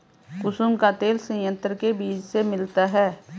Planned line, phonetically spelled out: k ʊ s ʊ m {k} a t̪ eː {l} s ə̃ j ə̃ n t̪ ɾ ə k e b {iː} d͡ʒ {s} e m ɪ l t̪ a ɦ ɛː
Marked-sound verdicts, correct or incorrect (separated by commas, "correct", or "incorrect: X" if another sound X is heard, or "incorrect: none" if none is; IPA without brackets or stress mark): correct, correct, correct, correct